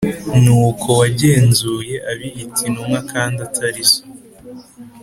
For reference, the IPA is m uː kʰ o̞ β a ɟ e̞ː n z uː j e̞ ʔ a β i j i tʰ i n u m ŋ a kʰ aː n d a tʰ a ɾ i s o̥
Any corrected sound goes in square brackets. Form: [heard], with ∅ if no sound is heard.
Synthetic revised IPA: [n] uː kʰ o̞ [w] a ɟ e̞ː n z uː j e̞ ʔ a β i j i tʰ i n u m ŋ a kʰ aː n d a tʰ a ɾ i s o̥